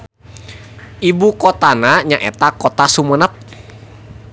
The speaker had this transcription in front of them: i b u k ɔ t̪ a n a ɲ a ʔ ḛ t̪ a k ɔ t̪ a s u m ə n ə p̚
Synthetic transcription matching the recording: i b u k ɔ t̪ a n a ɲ a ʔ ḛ t̪ a k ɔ t̪ a s u m ə n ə p̚